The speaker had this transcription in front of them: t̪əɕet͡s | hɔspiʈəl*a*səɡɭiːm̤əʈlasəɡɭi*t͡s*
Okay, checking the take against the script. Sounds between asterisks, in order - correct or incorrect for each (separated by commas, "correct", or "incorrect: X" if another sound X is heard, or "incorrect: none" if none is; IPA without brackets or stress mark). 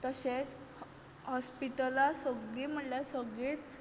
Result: correct, correct